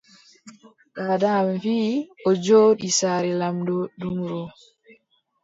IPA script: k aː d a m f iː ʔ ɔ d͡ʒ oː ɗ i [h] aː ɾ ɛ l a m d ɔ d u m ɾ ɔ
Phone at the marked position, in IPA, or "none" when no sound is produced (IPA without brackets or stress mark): s